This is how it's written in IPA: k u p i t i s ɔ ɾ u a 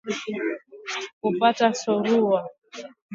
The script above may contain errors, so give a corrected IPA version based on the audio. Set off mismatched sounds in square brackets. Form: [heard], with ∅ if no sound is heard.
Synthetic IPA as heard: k u p [a] t [a] s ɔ ɾ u a

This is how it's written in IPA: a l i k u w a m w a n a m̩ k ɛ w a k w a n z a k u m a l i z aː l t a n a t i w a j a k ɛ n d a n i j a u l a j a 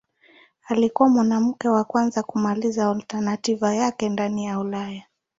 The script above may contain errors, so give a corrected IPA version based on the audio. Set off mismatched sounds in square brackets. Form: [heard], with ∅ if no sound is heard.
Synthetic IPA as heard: a l i k u w a m w a n a m̩ k ɛ w a k w a n z a k u m a l i z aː l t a n a t i [v] a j a k ɛ n d a n i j a u l a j a

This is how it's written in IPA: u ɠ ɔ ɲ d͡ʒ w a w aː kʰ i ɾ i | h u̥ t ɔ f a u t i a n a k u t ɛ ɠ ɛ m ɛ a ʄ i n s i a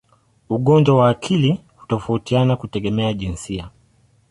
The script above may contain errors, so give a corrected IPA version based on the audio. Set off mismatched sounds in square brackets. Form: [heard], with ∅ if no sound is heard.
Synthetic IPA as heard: u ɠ ɔ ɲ d͡ʒ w a w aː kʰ i [l] i | h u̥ t ɔ f a u t i a n a k u t ɛ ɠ ɛ m ɛ a ʄ i n s i a

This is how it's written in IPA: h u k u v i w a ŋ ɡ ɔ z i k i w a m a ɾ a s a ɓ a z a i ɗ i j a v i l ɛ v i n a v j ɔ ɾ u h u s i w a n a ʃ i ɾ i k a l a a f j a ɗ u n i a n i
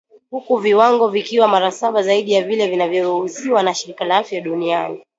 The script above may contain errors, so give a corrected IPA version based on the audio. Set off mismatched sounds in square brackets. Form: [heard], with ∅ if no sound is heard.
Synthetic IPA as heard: h u k u v i w a ŋ ɡ ɔ [v] i k i w a m a ɾ a s a ɓ a z a i ɗ i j a v i l ɛ v i n a v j ɔ ɾ u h u s i w a n a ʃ i ɾ i k a l a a f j a ɗ u n i a n i

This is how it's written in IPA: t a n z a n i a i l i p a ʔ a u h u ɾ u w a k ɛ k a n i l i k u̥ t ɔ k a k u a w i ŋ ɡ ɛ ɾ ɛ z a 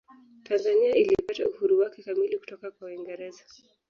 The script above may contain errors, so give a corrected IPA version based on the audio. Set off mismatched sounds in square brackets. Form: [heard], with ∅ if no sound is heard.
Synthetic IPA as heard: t a n z a n i a i l i p a [t] a u h u ɾ u w a k ɛ k a [m] i l i k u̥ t ɔ k a k [w] a w i ŋ ɡ ɛ ɾ ɛ z a

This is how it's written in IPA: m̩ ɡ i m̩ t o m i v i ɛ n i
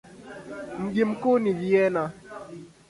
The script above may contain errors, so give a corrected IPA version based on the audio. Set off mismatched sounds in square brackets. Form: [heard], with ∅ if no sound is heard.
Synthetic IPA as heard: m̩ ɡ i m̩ [k] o [n] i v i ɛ n [a]

